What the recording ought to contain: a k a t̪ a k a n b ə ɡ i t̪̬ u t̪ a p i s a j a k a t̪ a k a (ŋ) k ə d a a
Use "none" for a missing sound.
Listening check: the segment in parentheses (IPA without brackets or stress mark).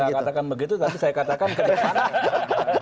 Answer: n